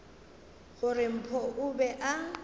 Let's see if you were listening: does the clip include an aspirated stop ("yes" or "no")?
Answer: yes